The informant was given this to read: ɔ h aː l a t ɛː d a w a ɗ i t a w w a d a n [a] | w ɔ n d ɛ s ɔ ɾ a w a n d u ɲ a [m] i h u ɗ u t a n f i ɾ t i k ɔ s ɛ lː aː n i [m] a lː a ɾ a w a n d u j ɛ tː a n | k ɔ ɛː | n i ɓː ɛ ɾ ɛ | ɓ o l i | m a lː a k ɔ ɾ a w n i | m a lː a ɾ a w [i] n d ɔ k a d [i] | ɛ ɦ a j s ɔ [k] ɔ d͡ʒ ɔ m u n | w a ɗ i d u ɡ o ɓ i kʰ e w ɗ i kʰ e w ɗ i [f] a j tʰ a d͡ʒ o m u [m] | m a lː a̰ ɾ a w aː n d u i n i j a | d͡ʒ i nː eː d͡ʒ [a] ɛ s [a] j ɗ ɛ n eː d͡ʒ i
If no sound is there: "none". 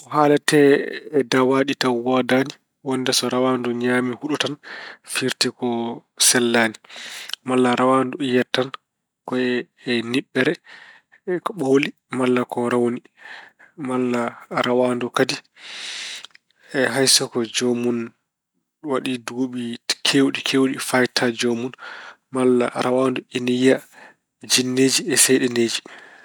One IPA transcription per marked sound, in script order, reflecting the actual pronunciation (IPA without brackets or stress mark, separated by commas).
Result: i, m, m, a, i, k, f, n, i, ɛ